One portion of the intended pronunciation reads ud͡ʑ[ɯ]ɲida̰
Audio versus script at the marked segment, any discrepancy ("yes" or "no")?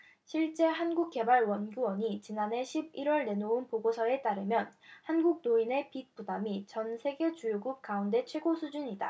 yes